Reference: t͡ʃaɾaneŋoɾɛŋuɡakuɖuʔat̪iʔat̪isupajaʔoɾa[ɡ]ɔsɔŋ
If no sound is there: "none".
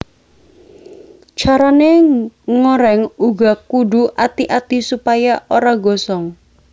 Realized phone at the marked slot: ɡ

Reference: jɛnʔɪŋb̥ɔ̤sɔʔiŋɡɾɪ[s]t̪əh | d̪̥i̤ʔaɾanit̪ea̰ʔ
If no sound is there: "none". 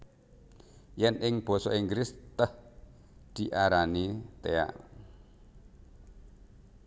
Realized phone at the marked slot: s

